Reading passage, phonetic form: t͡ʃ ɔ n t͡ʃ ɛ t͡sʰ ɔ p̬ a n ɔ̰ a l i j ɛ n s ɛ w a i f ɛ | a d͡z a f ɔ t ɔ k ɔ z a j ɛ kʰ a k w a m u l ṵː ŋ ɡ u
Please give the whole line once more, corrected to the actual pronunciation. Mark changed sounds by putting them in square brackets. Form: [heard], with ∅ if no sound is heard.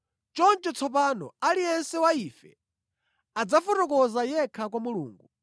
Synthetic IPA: t͡ʃ ɔ n t͡ʃ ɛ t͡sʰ ɔ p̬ a n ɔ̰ a l i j ɛ n s ɛ w a i f ɛ | a d͡z a f ɔ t ɔ k ɔ z a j ɛ kʰ a k w a m u l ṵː ŋ ɡ u